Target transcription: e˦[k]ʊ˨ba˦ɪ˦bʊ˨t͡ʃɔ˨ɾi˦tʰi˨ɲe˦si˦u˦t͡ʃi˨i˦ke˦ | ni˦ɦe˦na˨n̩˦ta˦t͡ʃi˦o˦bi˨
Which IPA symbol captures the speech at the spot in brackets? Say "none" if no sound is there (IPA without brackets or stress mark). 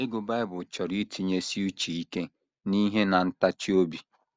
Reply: ɡ